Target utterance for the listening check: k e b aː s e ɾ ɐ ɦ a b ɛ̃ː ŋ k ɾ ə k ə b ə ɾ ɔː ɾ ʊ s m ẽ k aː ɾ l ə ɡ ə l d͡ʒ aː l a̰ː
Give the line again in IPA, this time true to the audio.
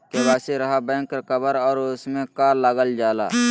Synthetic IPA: k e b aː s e ɾ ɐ ɦ a b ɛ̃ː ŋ k ɾ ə k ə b ə ɾ ɔː ɾ ʊ s m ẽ k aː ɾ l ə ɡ ə l d͡ʒ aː l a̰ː